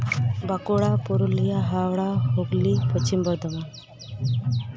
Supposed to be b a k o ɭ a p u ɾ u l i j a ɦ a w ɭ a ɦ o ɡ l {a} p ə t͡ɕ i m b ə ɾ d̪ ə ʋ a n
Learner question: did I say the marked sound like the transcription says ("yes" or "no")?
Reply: no